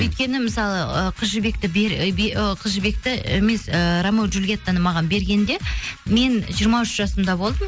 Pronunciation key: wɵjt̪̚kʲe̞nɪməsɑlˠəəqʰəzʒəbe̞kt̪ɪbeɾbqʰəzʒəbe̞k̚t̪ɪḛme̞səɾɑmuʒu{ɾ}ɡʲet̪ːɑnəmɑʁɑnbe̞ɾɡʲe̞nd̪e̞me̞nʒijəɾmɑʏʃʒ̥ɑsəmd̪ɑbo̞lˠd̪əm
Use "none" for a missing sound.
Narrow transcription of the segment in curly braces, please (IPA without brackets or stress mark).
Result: l